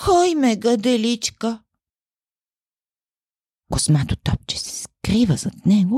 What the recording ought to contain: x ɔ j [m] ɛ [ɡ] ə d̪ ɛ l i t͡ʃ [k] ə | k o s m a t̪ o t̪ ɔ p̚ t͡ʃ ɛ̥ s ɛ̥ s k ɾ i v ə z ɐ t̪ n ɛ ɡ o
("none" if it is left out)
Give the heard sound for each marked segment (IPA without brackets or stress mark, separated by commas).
m, ɡ, k